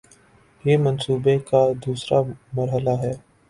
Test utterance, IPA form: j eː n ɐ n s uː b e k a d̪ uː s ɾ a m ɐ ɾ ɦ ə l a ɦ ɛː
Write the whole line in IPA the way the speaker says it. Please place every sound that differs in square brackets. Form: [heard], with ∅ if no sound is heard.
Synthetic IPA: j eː [m] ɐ n s uː b e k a d̪ uː s ɾ a m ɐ ɾ ɦ ə l a ɦ ɛː